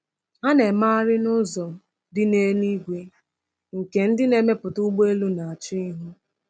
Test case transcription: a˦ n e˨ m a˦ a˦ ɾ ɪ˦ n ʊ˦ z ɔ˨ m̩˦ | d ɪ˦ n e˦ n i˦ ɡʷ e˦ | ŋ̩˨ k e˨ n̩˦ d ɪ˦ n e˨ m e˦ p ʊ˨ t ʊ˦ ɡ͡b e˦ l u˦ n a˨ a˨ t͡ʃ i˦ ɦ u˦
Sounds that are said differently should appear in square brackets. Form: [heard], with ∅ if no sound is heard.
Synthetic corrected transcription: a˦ n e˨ m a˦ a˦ ɾ ɪ˦ n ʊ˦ z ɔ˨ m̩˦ | d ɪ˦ n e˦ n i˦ ɡʷ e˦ | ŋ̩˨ k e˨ n̩˦ d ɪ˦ n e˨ m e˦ p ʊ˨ t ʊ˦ ɡ͡b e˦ l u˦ n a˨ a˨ t͡ʃ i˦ ɦ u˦